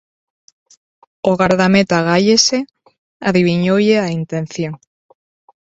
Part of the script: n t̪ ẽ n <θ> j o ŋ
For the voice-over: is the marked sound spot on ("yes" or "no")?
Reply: yes